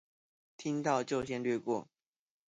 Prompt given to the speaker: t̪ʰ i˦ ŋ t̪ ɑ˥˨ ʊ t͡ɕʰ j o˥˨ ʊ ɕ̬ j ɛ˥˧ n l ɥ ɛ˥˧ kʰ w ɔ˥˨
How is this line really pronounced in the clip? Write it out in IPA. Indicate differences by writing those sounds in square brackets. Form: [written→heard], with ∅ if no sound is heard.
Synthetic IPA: t̪ʰ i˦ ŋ t̪ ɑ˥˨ ʊ [t͡ɕʰ→t͡ɕ] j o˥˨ ʊ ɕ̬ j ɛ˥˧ n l ɥ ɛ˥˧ [kʰ→k] w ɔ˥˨